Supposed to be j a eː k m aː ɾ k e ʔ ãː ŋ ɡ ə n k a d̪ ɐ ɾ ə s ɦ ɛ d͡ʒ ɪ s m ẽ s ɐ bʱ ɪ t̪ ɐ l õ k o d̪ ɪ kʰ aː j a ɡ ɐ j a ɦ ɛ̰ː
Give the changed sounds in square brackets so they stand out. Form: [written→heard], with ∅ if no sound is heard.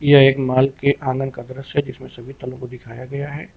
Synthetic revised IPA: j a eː k m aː [ɾ→l] k e ʔ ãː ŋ ɡ ə n k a d̪ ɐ ɾ ə s ɦ ɛ d͡ʒ ɪ s m ẽ s ɐ bʱ [ɪ→i] t̪ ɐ l õ k o d̪ ɪ kʰ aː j a ɡ ɐ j a ɦ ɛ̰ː